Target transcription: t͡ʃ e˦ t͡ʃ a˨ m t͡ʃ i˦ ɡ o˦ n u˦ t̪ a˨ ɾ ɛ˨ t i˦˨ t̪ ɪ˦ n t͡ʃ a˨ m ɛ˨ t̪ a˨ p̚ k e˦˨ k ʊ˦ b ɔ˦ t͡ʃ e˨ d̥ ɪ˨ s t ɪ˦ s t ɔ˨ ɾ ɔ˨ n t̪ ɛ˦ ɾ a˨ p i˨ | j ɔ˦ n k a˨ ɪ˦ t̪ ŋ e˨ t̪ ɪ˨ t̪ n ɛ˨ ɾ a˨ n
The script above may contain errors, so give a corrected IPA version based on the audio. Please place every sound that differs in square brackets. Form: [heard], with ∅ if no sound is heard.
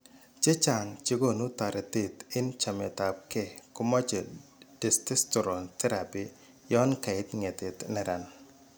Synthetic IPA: t͡ʃ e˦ t͡ʃ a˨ [ŋ] t͡ʃ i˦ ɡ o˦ n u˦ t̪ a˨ ɾ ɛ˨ t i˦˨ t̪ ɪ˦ n t͡ʃ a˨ m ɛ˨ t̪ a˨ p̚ k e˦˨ k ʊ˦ [m] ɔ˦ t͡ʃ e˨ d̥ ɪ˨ s t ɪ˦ s t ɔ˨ ɾ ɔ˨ n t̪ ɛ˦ ɾ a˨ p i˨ | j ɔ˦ n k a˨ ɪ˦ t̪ ŋ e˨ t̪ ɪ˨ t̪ n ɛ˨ ɾ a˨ n